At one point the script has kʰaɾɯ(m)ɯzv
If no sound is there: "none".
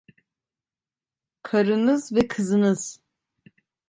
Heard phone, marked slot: n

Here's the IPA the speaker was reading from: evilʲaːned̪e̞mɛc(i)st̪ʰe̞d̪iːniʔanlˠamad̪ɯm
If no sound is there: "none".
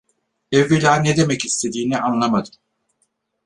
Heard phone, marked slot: i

